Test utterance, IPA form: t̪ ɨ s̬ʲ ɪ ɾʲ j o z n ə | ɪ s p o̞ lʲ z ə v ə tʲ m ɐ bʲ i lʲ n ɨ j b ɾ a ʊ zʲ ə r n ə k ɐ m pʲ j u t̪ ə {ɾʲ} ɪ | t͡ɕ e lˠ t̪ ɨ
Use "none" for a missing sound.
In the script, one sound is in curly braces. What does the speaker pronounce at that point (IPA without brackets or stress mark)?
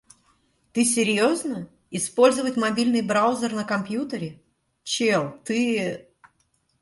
ɾʲ